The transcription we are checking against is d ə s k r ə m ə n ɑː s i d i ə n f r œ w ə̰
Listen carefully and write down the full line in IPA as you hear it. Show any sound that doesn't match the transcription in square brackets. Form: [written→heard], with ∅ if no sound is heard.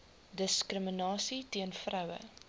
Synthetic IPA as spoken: d ə s k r ə m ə n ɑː s i [d→t] i ə n f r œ w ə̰